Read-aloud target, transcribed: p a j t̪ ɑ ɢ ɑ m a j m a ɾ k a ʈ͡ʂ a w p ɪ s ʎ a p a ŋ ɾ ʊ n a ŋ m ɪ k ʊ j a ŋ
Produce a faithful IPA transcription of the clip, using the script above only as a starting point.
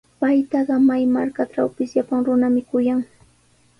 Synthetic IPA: p a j t̪ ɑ ɢ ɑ m a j m a ɾ k a ʈ͡ʂ a w p ɪ s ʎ a p a ŋ ɾ ʊ n a m ɪ k ʊ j a ŋ